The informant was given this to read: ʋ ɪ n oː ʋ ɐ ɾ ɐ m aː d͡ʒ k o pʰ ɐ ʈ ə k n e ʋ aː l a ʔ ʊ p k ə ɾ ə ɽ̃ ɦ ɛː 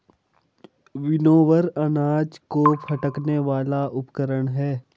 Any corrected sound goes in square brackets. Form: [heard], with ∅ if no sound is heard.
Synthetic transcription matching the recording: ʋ ɪ n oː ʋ [ə] ɾ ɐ [n] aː d͡ʒ k o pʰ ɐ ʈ ə k n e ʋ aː l a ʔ ʊ p k ə ɾ ə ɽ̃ ɦ ɛː